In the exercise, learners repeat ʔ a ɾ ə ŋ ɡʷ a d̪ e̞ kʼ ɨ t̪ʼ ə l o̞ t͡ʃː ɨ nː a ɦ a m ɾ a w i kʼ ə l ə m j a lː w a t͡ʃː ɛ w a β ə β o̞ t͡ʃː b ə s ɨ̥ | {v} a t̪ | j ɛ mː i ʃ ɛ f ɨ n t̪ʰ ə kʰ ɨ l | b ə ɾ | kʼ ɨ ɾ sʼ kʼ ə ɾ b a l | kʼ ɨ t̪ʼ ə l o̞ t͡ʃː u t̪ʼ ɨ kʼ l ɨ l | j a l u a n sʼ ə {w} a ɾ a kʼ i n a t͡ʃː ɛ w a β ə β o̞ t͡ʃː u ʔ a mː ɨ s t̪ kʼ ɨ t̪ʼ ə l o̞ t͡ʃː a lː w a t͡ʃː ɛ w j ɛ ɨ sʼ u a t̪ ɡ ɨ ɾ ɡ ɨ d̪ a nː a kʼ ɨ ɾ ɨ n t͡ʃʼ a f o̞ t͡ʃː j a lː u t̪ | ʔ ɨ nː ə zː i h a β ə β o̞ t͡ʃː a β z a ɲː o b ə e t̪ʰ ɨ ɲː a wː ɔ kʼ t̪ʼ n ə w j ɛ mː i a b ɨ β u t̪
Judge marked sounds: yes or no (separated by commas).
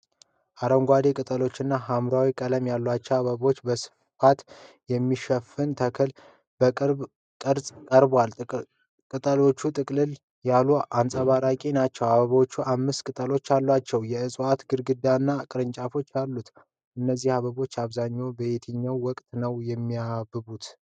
no, no